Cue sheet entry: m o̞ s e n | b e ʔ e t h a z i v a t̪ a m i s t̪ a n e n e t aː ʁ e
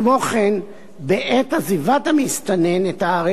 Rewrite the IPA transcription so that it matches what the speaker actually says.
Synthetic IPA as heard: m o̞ χ e n | b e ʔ e t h a z i v a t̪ a m i s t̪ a n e n e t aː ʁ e